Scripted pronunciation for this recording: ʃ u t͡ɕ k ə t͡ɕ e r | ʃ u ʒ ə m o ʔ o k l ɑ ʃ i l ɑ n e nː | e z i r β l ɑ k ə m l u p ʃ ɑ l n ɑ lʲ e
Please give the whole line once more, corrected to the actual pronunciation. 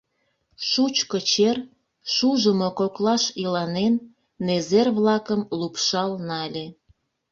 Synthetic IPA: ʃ u t͡ɕ k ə t͡ɕ e r | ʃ u ʒ ə m o k o k l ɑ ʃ i l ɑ n e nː | e z e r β l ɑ k ə m l u p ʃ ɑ l n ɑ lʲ e